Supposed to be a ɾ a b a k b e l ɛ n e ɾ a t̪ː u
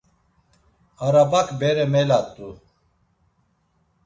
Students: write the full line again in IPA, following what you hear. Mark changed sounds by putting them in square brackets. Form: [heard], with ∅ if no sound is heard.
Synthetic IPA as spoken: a ɾ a b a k b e [ɾ] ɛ [m] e [l] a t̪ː u